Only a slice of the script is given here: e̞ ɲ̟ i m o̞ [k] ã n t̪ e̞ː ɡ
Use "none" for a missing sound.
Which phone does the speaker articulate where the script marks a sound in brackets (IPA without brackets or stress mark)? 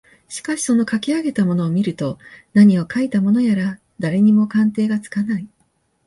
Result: k